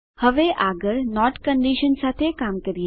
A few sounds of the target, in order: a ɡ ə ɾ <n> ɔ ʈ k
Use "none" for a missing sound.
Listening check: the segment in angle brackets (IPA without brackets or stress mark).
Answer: n